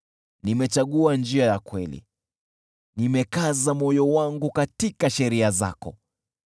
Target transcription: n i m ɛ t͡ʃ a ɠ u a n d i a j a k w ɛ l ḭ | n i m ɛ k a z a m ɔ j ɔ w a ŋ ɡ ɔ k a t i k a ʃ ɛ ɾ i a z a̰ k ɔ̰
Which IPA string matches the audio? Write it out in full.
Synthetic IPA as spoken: n i m ɛ t͡ʃ a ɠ u a n d͡ʒ i a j a k w ɛ l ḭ | n i m ɛ k a z a m ɔ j ɔ w a ŋ ɡ u k a t i k a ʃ ɛ ɾ i a z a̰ k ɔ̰